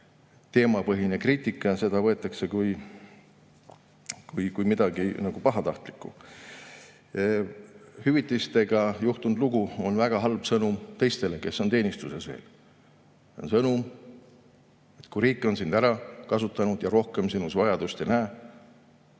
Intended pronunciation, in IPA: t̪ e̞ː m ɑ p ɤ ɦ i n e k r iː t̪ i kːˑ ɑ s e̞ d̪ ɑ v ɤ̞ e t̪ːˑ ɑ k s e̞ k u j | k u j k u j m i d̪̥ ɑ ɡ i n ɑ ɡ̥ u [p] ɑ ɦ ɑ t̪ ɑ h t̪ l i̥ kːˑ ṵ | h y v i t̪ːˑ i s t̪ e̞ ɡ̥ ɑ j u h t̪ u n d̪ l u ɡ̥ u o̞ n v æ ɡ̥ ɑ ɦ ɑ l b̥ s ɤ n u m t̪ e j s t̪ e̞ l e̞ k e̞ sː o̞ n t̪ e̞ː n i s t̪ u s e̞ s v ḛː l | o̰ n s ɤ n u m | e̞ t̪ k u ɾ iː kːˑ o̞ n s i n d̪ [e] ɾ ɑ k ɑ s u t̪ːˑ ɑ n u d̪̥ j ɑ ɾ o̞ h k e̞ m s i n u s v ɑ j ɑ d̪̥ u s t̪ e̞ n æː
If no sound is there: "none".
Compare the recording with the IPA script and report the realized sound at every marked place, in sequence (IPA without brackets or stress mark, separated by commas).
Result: p, æ